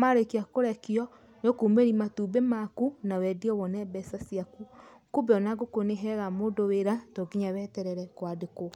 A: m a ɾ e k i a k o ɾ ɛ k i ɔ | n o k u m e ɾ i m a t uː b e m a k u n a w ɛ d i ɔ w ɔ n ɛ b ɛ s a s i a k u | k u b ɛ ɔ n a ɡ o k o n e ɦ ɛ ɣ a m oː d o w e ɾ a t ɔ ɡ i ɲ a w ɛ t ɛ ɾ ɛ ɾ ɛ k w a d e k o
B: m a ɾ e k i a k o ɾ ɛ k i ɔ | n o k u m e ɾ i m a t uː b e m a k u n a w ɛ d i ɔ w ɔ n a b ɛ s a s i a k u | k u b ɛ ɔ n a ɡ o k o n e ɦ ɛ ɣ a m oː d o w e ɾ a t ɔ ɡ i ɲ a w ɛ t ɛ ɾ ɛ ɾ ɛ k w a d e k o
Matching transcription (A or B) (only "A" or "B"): A